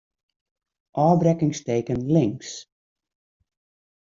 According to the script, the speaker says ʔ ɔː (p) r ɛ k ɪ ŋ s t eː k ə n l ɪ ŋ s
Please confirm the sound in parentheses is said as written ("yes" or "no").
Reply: no